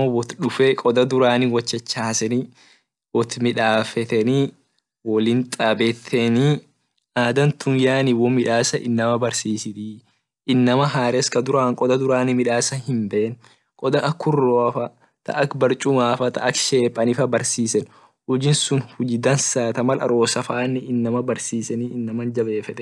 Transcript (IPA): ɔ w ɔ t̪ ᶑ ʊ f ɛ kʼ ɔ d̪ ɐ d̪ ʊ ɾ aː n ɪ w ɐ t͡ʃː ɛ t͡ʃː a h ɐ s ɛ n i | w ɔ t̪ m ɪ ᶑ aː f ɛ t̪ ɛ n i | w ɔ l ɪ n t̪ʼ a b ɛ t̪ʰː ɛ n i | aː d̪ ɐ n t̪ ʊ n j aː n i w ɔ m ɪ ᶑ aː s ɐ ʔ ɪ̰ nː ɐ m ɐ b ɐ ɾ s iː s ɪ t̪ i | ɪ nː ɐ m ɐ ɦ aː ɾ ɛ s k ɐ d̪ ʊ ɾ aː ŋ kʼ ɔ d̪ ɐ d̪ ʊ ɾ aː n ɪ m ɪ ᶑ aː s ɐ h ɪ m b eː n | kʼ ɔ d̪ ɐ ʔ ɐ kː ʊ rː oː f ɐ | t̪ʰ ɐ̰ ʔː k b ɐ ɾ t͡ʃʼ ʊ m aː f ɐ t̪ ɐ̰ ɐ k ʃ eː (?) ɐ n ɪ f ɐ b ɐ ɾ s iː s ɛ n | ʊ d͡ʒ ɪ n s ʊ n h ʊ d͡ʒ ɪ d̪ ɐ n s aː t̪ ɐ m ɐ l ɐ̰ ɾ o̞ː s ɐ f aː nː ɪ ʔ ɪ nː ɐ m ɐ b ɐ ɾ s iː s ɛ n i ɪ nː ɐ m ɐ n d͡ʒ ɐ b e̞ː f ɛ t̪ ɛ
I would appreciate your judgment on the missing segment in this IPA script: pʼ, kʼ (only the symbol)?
pʼ